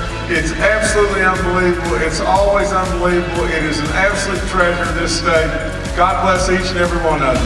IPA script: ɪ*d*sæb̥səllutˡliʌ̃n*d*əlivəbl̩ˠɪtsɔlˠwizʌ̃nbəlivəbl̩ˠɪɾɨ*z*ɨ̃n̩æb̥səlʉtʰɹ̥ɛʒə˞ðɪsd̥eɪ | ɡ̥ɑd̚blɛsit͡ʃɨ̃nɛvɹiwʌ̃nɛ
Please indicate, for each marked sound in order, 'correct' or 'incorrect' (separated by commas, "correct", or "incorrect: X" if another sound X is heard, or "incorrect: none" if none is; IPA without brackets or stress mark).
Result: incorrect: t, incorrect: b, correct